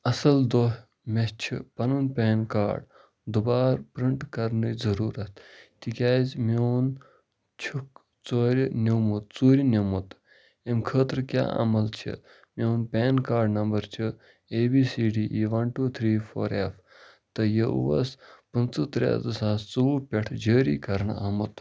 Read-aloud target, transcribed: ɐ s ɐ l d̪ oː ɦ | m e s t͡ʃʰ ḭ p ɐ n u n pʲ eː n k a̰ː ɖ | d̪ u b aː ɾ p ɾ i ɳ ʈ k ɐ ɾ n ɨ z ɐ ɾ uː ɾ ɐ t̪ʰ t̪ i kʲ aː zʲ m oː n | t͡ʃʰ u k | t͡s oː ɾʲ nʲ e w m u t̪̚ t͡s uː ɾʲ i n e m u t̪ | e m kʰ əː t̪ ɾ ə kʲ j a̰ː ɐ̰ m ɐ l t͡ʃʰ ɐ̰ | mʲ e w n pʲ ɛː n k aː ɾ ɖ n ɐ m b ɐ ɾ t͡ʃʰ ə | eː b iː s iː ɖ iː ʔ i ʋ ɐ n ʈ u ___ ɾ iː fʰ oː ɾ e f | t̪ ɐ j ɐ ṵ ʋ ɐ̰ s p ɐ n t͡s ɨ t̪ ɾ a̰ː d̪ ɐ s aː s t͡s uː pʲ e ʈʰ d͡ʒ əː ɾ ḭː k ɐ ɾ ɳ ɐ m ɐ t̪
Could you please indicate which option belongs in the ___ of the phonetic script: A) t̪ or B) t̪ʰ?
B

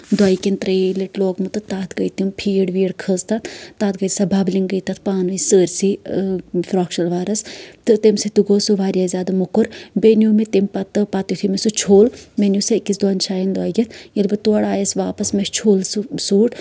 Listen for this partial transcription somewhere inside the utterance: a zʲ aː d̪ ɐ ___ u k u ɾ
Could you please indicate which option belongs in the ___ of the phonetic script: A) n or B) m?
B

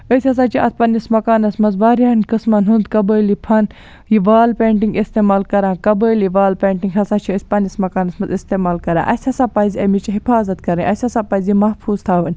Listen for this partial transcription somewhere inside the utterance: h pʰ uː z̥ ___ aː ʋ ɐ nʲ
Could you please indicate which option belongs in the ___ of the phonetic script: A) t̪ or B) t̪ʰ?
B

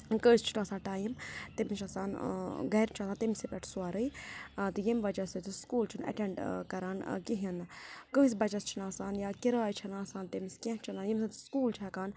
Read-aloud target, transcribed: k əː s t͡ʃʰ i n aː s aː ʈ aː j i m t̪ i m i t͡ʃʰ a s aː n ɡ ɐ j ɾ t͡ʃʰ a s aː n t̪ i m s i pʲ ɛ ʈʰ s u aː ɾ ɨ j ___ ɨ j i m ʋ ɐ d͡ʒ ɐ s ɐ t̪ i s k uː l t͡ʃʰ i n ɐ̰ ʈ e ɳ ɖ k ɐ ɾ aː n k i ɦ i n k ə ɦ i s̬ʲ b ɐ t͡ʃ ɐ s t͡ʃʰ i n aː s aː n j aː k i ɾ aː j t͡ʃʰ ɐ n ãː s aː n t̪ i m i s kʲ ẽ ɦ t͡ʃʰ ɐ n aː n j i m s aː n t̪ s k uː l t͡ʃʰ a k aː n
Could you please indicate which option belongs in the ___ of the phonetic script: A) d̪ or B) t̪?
B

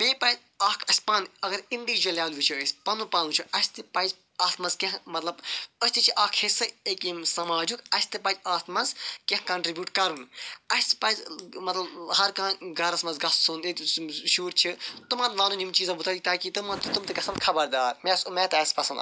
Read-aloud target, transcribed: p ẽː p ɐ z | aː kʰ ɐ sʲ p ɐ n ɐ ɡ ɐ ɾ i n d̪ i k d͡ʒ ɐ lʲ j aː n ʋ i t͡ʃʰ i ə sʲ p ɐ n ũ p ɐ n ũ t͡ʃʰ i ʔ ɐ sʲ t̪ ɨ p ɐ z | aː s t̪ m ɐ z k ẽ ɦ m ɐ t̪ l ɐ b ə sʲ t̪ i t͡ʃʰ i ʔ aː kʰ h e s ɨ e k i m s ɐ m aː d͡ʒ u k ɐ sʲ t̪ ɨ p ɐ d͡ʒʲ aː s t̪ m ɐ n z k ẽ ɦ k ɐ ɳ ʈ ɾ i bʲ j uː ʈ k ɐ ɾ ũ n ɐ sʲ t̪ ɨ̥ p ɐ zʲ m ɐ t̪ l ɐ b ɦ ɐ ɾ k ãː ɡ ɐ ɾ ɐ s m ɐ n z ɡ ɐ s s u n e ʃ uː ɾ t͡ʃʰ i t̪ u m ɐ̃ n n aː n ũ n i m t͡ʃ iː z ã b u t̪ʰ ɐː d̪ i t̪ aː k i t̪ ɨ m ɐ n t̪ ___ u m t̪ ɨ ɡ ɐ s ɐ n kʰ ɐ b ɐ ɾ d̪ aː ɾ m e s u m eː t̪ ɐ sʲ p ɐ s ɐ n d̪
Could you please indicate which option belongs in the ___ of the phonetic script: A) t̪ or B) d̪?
A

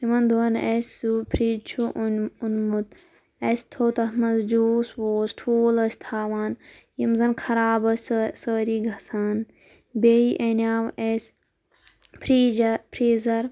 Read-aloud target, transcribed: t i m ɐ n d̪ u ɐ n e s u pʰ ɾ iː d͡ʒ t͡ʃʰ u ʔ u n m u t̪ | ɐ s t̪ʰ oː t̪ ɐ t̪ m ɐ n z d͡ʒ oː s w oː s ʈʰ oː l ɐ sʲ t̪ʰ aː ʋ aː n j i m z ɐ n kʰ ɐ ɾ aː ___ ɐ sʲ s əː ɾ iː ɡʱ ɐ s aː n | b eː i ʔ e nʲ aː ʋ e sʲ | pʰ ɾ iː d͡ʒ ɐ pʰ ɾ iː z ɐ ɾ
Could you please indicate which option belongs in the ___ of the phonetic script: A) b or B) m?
A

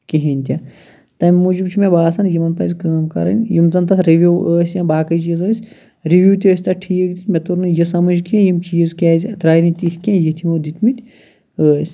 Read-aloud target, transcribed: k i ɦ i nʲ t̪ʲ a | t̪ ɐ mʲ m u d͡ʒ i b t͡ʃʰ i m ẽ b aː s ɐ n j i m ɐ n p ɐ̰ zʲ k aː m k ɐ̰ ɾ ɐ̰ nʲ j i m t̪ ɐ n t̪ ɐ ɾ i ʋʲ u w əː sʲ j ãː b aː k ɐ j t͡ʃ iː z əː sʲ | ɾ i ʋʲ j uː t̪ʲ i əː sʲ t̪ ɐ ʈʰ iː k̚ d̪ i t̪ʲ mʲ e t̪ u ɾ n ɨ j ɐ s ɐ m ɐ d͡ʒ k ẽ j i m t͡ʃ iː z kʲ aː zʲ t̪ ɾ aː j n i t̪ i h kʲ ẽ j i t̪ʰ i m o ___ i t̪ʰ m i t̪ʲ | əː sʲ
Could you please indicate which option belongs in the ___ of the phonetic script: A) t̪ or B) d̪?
B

